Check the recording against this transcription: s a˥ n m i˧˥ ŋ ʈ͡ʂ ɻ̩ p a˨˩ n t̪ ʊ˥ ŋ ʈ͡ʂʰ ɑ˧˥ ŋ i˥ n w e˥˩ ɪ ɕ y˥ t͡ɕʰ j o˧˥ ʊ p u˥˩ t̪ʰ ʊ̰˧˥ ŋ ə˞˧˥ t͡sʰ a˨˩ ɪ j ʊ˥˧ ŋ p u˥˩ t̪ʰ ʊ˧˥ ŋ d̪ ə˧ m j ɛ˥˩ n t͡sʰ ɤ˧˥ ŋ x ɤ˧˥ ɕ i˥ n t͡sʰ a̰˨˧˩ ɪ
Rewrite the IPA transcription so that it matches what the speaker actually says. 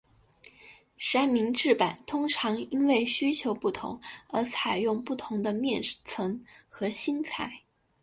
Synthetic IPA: ʂ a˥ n m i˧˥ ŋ ʈ͡ʂ ɻ̩ p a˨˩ n t̪ʰ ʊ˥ ŋ ʈ͡ʂʰ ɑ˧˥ ŋ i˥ n w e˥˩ ɪ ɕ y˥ t͡ɕʰ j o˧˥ ʊ p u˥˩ t̪ʰ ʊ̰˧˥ ŋ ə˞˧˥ t͡sʰ a˨˩ ɪ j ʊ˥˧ ŋ p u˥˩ t̪ʰ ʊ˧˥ ŋ d̪ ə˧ m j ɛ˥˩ n t͡sʰ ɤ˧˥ ŋ x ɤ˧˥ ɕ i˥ n t͡sʰ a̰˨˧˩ ɪ